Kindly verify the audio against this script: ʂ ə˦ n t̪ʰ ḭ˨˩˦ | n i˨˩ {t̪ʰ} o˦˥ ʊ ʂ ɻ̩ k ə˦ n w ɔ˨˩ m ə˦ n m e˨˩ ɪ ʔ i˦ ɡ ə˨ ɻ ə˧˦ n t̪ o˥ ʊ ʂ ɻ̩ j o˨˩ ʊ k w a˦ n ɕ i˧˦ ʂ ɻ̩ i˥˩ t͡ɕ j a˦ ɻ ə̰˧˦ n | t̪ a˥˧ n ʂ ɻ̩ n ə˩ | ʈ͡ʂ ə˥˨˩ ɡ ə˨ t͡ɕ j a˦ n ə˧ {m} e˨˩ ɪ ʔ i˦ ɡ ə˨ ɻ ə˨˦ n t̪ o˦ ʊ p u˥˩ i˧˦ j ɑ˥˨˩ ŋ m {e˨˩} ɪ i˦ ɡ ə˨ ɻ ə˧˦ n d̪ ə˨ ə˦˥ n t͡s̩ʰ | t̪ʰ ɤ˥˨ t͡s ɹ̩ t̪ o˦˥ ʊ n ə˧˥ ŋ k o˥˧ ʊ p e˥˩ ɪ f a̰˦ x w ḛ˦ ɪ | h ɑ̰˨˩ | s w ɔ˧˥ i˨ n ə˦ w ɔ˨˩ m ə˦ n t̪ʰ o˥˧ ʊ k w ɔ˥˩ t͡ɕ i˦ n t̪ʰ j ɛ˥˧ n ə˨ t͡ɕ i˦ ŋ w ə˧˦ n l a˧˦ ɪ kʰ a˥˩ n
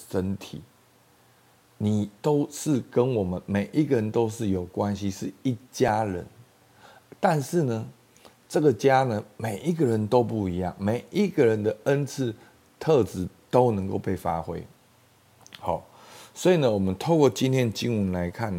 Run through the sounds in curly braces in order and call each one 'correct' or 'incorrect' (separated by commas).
incorrect, correct, correct